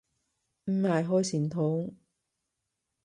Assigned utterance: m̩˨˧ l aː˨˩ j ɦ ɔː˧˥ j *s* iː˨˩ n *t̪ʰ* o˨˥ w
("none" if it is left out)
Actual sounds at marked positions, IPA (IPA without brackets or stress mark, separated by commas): s, t̪ʰ